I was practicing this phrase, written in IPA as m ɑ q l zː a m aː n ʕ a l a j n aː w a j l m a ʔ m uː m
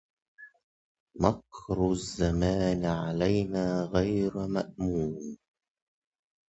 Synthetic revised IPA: m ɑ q ɾ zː a m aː n ʕ a l a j n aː ɣ a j ɾ m a ʔ m uː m